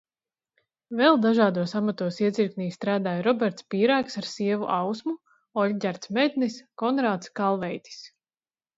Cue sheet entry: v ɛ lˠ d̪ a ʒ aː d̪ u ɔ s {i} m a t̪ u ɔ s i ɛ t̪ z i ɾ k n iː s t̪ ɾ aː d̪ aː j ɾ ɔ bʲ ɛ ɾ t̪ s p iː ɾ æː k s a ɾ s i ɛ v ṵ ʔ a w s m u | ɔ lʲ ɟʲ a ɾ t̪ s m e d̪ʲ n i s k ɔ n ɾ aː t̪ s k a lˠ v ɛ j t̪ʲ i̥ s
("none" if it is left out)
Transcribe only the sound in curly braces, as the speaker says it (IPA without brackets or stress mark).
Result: a